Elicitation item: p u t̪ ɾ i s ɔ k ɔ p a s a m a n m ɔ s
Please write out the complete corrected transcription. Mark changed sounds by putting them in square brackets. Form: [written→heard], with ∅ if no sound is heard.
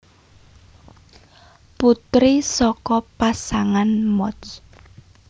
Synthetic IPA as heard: p u t̪ ɾ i s ɔ k ɔ p a s a [m→ŋ] a n m ɔ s